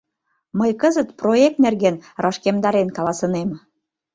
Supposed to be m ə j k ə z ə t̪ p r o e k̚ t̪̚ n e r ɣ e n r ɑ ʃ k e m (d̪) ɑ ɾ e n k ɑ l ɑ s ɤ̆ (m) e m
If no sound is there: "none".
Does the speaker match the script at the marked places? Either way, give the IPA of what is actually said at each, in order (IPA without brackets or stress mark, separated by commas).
d̪, n